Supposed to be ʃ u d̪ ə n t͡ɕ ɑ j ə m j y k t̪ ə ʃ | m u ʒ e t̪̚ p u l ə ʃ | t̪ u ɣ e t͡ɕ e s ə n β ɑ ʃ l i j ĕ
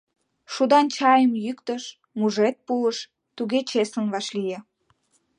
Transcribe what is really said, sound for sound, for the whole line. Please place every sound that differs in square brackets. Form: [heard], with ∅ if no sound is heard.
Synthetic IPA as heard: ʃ u d̪ [ɑ] n t͡ɕ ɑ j ə m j y k t̪ ə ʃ | m u ʒ e t̪̚ p u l ə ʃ | t̪ u ɣ e t͡ɕ e s ə n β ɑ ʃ l i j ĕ